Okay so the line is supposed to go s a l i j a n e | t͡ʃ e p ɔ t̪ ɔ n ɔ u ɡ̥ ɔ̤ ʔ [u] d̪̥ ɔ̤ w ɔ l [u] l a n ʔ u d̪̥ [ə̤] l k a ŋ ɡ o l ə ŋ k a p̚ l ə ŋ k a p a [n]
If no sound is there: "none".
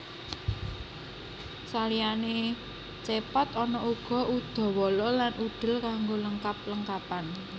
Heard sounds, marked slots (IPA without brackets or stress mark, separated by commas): u, ɔ, ə̤, n